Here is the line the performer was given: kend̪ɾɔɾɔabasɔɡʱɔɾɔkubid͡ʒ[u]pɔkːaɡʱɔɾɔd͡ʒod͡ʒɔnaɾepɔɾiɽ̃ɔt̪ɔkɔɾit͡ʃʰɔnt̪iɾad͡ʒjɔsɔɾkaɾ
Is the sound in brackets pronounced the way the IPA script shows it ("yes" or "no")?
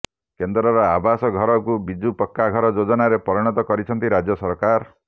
yes